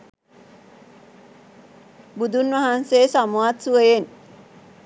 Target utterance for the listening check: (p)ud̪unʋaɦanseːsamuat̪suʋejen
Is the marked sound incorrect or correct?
incorrect